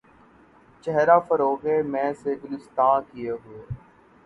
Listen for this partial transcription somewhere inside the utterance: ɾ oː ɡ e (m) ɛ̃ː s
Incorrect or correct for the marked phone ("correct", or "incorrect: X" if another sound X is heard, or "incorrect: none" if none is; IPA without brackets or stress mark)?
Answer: correct